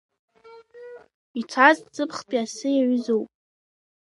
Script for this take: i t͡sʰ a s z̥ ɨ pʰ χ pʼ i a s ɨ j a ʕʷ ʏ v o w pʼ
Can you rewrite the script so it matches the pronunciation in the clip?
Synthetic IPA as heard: i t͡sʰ a z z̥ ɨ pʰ χ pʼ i a s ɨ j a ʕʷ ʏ z o w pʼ